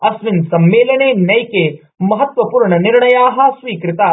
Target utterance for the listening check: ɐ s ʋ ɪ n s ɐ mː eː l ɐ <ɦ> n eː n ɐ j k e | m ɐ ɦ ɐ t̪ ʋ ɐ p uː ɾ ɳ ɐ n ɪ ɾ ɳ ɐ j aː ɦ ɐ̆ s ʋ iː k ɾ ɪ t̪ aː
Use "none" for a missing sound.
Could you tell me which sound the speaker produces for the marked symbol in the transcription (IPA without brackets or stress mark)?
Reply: none